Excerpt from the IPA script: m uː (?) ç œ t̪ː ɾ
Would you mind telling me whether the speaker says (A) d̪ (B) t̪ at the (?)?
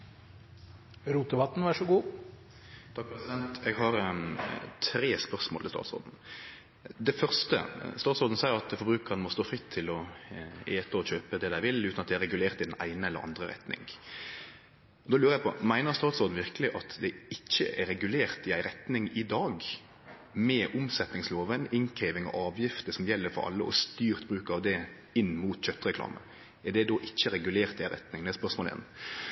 B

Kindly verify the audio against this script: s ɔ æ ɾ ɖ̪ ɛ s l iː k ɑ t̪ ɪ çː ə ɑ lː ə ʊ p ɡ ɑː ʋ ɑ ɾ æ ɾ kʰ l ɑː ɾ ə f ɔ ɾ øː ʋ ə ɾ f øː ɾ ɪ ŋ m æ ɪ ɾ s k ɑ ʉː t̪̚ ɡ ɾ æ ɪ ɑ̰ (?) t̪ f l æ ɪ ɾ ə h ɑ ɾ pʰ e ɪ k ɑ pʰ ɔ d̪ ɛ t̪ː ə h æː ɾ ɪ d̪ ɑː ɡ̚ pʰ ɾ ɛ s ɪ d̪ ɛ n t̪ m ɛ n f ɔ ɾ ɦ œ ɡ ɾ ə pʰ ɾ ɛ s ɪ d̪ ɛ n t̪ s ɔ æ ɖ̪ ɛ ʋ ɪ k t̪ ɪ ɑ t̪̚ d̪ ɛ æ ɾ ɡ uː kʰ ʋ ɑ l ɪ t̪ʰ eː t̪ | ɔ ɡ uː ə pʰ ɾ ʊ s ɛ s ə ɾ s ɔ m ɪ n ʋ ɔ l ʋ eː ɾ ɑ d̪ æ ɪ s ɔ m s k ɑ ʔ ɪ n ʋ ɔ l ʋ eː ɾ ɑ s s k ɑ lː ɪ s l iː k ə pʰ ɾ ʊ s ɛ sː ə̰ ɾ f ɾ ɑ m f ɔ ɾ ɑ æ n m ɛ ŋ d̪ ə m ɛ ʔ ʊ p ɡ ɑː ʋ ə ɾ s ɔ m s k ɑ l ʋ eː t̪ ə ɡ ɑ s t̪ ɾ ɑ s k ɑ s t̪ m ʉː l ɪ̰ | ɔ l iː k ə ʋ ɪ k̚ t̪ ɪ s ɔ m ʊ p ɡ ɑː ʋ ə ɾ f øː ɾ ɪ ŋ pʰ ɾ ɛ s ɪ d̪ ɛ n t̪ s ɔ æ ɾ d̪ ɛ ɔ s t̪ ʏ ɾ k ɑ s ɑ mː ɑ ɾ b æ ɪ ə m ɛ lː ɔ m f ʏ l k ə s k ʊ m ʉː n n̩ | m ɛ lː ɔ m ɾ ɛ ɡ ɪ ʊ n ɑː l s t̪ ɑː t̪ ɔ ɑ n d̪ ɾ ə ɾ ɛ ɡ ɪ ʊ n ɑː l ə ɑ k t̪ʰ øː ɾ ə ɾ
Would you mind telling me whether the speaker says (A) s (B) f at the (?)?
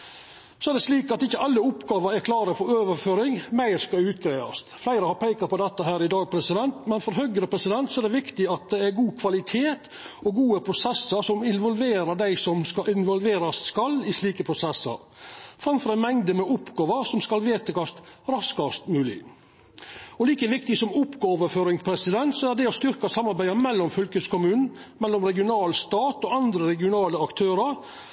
A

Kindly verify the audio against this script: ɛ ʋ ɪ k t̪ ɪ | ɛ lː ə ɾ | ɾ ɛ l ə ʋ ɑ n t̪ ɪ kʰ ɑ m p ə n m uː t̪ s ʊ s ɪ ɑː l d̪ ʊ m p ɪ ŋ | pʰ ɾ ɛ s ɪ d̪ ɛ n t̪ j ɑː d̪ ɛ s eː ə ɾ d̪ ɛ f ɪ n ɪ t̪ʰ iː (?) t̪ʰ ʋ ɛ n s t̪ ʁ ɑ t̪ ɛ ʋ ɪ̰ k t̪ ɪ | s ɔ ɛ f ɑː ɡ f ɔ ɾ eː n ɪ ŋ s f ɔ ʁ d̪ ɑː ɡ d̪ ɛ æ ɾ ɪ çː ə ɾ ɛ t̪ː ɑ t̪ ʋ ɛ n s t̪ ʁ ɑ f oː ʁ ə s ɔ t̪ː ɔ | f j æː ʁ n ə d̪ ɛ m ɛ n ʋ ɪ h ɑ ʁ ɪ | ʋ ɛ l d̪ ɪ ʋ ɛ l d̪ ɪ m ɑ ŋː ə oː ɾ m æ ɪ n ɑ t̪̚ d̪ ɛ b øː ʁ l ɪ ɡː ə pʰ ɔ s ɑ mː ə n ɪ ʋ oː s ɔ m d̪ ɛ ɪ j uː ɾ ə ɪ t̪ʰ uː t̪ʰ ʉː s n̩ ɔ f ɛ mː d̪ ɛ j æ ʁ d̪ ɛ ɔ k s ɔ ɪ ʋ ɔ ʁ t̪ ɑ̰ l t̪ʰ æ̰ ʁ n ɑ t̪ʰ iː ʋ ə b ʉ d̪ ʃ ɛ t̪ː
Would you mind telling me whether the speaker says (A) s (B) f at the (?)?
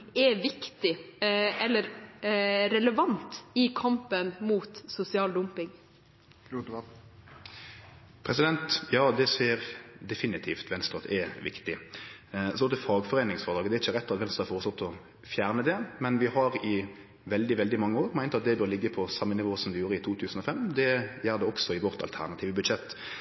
B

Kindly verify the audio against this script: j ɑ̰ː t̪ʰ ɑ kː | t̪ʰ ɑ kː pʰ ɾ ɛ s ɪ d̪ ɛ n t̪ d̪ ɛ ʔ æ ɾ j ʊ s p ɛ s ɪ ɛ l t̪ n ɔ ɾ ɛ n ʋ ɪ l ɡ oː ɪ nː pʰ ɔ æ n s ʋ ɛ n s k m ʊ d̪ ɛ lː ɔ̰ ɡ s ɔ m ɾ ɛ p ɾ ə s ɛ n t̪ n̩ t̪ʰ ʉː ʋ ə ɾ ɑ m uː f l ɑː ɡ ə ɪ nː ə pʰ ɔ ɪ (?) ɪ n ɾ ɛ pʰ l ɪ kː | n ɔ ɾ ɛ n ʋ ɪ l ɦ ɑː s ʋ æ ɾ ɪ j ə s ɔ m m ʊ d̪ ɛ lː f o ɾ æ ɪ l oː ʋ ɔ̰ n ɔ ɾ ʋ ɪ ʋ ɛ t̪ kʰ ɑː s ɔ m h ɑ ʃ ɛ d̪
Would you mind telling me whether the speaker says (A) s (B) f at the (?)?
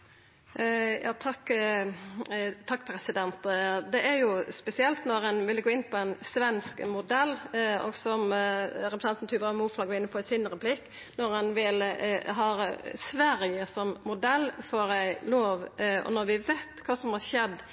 A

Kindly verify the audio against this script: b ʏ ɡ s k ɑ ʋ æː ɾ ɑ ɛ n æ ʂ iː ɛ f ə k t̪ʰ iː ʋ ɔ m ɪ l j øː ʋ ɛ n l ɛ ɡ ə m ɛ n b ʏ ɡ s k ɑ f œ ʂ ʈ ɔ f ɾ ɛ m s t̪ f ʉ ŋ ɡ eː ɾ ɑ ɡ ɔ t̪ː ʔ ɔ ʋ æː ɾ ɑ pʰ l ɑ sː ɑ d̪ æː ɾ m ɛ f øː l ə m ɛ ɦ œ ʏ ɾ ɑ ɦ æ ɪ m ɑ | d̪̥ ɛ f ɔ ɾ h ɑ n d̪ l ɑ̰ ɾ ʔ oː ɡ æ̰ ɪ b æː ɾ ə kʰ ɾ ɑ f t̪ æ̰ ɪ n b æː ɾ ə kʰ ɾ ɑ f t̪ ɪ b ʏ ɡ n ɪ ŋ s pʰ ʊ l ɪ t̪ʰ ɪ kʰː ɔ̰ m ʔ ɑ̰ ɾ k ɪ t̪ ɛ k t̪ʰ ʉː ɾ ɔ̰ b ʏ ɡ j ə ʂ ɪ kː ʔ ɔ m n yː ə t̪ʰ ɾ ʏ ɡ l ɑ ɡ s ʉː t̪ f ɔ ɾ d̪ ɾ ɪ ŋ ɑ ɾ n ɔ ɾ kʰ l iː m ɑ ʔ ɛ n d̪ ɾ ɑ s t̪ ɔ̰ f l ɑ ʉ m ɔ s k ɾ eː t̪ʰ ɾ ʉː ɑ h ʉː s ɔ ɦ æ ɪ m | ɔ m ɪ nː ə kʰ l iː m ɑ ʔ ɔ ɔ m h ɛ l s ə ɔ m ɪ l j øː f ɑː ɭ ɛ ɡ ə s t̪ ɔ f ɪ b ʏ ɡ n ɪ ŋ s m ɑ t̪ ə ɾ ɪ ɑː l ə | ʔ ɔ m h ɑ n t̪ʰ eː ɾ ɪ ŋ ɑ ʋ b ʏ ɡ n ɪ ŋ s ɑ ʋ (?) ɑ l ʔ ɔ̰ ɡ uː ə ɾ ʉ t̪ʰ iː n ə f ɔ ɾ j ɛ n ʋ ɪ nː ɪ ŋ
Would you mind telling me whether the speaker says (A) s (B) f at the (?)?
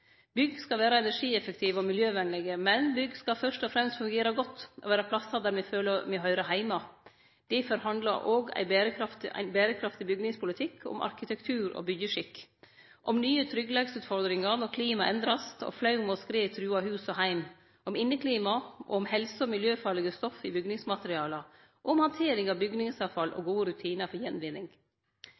B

